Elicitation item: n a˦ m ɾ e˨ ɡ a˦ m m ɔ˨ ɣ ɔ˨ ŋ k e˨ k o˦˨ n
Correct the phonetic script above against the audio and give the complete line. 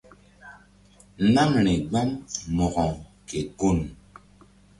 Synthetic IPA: n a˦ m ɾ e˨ ɡ͡b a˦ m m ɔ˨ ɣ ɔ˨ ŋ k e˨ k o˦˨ n